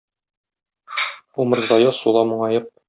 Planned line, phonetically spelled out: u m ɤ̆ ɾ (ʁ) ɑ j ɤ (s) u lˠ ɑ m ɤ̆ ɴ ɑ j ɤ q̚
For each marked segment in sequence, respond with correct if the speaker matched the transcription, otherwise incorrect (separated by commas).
incorrect, correct